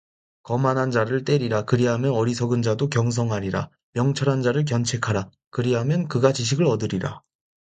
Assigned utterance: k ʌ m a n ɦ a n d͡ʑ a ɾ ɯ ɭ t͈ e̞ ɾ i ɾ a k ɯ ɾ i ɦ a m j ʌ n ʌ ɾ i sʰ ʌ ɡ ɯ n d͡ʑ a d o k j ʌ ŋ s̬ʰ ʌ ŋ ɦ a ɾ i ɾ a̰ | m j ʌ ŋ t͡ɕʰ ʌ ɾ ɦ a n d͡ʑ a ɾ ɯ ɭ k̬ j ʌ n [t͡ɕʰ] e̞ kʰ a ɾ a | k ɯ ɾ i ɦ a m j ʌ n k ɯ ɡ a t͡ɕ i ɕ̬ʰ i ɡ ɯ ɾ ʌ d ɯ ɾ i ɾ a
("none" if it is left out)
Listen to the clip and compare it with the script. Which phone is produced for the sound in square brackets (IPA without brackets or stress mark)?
t͡ɕʰ